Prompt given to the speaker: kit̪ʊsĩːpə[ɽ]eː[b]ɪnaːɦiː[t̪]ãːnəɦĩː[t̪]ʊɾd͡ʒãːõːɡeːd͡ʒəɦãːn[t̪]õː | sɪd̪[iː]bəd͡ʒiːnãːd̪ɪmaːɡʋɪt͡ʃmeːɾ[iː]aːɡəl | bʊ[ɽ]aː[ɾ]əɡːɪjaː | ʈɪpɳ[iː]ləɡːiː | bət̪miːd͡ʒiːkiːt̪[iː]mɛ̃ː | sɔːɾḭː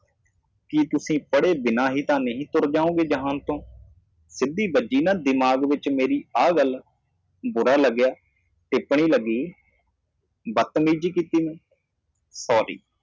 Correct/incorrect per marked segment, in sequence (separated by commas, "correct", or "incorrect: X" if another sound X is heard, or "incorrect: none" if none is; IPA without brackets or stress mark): correct, correct, correct, correct, correct, correct, correct, incorrect: ɾ, incorrect: l, correct, correct